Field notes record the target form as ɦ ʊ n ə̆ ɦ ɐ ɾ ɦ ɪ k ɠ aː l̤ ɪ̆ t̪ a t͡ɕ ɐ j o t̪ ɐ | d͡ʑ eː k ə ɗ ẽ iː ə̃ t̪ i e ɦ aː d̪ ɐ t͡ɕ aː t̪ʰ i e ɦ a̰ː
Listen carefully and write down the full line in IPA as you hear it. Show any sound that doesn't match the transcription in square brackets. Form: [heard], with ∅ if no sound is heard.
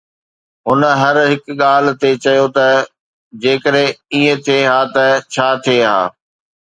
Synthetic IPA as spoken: ɦ ʊ n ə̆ ɦ ɐ ɾ ɦ ɪ k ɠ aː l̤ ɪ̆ t̪ [e] t͡ɕ ɐ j o t̪ ɐ | d͡ʑ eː k ə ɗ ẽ iː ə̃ [t̪ʰ] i e ɦ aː [t̪] ɐ [t͡ɕʰ] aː t̪ʰ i e ɦ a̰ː